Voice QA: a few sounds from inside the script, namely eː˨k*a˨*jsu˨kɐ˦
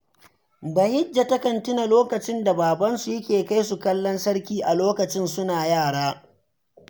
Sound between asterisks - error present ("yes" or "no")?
yes